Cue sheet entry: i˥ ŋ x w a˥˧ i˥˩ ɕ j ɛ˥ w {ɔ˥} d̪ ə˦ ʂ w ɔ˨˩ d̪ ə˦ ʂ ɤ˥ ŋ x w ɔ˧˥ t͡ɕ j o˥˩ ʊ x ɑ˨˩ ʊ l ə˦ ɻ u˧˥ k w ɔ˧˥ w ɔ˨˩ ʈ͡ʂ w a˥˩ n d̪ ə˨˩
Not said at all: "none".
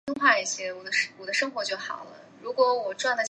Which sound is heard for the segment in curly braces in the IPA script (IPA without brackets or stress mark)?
ɔ˨˩